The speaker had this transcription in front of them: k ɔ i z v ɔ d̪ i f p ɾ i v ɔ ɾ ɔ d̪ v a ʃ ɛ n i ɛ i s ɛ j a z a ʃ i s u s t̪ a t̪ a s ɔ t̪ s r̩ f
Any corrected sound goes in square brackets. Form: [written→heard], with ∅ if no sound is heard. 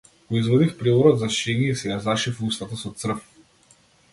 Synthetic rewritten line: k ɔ i z v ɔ d̪ i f p ɾ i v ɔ ɾ ɔ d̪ [v→z] a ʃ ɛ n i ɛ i s ɛ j a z a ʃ i [s→f] u s t̪ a t̪ a s ɔ t̪ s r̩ f